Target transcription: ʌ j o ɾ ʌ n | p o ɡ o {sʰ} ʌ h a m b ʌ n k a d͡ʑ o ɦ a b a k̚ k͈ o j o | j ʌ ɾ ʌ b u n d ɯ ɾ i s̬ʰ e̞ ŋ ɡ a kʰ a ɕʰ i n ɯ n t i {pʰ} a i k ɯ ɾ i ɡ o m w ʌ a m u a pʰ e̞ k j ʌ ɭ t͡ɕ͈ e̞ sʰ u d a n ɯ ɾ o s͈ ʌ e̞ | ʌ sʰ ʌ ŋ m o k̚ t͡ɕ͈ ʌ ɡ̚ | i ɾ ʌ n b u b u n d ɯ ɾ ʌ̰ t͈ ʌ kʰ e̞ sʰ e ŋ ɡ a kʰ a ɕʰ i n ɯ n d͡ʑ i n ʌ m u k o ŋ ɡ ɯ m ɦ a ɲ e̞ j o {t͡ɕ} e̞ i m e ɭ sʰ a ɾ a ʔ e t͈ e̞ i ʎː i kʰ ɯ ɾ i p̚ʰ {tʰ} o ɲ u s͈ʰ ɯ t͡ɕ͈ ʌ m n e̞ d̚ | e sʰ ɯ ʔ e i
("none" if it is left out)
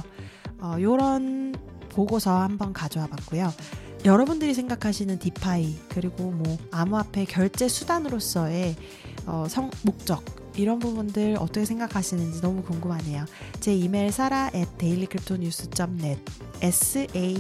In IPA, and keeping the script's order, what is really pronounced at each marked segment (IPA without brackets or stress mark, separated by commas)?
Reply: sʰ, pʰ, t͡ɕ, tʰ